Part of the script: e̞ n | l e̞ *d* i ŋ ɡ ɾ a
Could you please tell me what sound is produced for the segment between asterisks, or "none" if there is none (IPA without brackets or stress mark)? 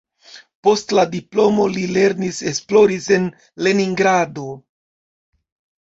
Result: n